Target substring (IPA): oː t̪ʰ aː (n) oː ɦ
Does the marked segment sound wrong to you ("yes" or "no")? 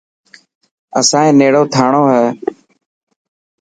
yes